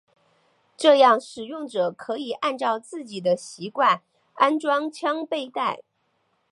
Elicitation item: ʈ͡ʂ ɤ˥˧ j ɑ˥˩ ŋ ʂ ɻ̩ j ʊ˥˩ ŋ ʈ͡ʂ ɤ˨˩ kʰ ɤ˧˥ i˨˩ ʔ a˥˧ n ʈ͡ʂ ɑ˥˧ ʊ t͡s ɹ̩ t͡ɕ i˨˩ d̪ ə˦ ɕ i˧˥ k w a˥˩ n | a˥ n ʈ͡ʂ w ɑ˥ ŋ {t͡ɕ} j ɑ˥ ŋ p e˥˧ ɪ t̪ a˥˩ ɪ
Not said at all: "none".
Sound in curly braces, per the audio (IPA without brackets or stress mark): t͡ɕʰ